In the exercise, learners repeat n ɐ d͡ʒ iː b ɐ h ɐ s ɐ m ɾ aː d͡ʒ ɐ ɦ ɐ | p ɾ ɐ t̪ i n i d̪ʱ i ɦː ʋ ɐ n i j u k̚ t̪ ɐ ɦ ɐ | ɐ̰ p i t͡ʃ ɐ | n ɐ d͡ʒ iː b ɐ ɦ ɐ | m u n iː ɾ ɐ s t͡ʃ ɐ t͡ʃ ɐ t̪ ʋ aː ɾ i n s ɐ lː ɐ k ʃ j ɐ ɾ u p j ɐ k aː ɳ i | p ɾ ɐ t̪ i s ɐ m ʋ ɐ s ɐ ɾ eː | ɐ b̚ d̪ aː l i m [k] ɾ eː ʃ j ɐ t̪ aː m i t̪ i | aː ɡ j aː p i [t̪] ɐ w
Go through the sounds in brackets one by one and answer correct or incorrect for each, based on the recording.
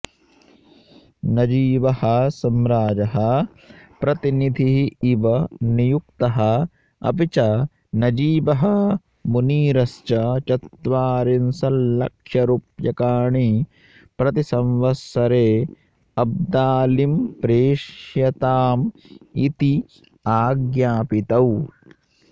incorrect: p, correct

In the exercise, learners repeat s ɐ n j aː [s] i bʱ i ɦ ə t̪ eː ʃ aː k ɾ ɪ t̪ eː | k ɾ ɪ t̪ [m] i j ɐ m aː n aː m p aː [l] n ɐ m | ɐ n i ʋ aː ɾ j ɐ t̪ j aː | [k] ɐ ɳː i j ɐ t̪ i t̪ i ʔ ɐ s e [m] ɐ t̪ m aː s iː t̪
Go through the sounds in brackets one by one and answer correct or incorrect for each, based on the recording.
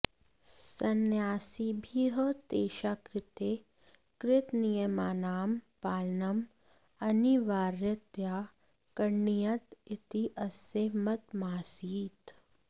correct, incorrect: n, correct, correct, correct

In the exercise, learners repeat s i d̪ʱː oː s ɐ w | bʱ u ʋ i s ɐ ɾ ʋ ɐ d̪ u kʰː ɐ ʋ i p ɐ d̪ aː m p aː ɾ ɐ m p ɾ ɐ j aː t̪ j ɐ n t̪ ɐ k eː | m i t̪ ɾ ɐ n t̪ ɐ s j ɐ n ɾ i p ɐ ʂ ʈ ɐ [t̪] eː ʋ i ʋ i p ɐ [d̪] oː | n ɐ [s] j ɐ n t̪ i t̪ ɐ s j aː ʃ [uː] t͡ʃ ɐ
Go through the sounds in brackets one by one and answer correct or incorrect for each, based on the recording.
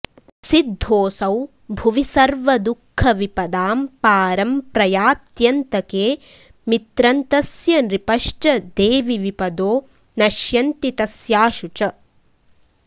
incorrect: d̪, correct, incorrect: ʃ, incorrect: u

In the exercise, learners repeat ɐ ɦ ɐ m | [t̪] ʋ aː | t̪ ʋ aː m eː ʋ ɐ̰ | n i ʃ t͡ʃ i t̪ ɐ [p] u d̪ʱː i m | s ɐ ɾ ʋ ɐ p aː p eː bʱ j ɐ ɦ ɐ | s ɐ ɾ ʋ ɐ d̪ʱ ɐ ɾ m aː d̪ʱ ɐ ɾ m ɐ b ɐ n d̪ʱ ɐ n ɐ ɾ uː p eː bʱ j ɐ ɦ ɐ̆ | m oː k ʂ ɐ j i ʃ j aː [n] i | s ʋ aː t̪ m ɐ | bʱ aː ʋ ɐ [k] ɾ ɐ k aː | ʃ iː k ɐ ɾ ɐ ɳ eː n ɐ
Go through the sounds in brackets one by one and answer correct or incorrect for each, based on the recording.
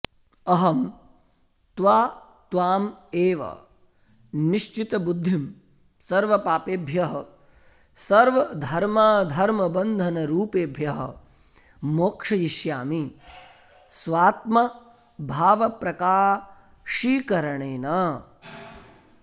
correct, incorrect: b, incorrect: m, incorrect: p

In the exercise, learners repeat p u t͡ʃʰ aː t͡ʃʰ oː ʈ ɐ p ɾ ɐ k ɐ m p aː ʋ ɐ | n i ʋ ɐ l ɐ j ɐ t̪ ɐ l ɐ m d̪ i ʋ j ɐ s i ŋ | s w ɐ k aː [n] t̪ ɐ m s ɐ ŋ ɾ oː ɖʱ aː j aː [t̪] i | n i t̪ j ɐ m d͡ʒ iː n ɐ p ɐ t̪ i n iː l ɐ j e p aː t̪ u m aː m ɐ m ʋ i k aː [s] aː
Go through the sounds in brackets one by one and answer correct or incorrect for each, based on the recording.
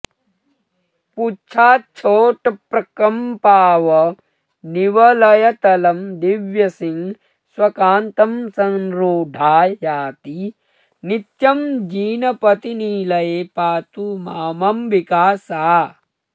correct, correct, correct

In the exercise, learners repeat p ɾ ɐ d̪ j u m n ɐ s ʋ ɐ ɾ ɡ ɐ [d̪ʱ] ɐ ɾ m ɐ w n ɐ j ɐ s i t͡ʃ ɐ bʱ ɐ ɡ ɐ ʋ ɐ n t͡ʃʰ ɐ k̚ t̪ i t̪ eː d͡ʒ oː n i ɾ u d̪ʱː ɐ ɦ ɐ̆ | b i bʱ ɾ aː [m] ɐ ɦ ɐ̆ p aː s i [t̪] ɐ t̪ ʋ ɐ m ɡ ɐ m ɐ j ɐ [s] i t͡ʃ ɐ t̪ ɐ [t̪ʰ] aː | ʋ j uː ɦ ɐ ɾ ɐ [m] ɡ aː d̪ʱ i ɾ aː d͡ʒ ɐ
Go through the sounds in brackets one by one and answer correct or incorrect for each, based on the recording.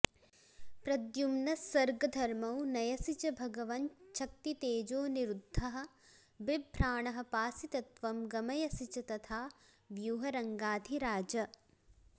correct, incorrect: ɳ, correct, correct, correct, incorrect: ŋ

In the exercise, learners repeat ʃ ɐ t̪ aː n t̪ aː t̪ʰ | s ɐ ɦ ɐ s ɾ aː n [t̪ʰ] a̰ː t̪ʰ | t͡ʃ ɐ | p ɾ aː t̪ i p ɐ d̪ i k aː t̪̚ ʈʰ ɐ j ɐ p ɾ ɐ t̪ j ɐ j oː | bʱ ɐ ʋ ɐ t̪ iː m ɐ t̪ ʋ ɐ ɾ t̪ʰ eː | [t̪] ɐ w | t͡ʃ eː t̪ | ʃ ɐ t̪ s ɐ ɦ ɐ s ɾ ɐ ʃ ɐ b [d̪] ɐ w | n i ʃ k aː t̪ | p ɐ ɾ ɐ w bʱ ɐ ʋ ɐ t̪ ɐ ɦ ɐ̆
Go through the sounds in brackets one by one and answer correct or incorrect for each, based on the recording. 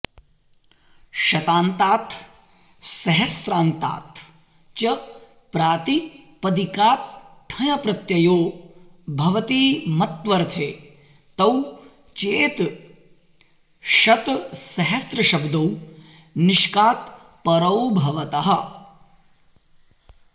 incorrect: t̪, correct, correct

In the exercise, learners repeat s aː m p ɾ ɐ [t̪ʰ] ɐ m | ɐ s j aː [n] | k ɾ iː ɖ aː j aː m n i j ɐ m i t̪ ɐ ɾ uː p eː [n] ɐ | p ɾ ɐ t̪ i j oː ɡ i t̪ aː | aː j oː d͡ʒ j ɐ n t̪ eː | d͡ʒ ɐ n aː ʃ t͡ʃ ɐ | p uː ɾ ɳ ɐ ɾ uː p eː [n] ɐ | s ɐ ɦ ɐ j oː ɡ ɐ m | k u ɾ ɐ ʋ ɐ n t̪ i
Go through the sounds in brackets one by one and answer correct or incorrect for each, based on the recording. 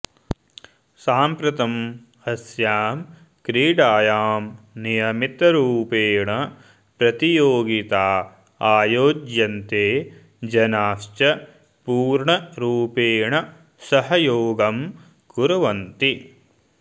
incorrect: t̪, incorrect: m, incorrect: ɳ, incorrect: ɳ

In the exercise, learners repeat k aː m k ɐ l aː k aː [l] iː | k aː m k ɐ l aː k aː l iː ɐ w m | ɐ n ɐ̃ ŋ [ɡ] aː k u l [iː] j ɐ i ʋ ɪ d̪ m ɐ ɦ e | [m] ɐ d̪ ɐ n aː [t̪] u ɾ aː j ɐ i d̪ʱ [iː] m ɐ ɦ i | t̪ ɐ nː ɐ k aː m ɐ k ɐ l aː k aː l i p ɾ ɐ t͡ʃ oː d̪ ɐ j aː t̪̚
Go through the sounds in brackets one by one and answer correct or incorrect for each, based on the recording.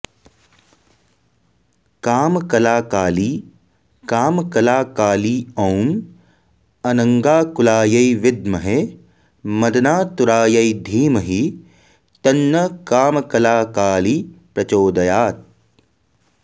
correct, correct, incorrect: aː, correct, correct, correct

